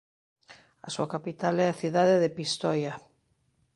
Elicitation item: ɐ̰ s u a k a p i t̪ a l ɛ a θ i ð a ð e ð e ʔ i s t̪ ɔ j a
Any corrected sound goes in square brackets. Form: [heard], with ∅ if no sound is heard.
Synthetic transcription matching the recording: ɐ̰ s u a k a p i t̪ a l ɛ a θ i ð a ð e ð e [p] i s t̪ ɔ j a